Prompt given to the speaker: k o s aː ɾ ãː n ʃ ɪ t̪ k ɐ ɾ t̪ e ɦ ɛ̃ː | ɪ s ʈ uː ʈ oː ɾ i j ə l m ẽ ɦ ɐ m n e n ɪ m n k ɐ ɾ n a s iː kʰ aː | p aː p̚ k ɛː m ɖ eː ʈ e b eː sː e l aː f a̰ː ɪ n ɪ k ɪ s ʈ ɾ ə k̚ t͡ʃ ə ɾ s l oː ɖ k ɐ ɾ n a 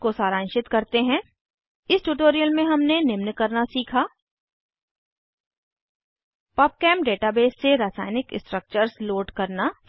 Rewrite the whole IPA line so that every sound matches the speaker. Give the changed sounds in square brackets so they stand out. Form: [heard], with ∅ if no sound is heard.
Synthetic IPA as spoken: k o s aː ɾ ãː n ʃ ɪ t̪ k ɐ ɾ t̪ e ɦ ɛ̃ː | ɪ s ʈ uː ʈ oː ɾ i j ə l m ẽ ɦ ɐ m n e n ɪ m n k ɐ ɾ n a s iː kʰ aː | p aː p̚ k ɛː m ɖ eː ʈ [a] b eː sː e [ɾ] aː [s] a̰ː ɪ n ɪ k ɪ s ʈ ɾ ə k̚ t͡ʃ ə ɾ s l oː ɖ k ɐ ɾ n a